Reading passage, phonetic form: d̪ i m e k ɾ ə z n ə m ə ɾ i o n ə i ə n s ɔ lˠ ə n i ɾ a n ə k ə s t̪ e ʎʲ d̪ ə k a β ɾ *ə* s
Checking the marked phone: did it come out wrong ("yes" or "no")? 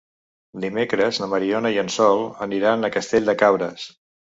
no